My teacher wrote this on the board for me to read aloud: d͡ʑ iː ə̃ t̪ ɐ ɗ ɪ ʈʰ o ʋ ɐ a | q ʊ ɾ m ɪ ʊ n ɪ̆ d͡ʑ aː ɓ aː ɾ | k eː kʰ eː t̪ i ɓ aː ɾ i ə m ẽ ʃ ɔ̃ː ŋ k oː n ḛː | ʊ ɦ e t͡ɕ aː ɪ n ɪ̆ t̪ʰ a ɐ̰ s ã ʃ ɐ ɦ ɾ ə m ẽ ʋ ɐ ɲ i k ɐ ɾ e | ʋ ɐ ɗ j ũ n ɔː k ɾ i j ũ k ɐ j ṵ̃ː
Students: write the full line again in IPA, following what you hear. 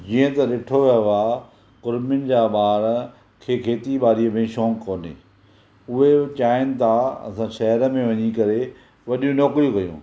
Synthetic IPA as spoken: d͡ʑ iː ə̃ t̪ ɐ ɗ ɪ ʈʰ o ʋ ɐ a | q ʊ ɾ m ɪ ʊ n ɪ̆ d͡ʑ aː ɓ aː ɾ | kʰ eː kʰ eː t̪ i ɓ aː ɾ i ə m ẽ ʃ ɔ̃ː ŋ k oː n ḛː | ʊ ɦ e t͡ɕ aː ɪ n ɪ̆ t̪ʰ a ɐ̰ s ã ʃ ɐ ɦ ɾ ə m ẽ ʋ ɐ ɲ i k ɐ ɾ e | ʋ ɐ ɗ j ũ n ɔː k ɾ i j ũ k ɐ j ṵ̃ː